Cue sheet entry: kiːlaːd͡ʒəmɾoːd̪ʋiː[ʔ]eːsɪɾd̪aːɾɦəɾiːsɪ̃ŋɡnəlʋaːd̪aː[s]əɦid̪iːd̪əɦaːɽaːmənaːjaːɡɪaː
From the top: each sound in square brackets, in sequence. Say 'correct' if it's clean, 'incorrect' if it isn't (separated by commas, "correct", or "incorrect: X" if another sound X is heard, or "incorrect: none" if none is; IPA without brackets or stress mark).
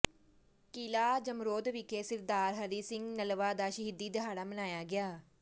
incorrect: k, incorrect: ʃ